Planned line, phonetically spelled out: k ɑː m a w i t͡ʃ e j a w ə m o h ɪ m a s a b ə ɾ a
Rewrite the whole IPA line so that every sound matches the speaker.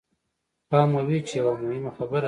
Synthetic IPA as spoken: p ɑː m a w i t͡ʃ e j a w a m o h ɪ m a x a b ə ɾ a